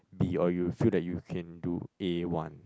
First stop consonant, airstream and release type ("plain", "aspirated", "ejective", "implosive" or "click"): plain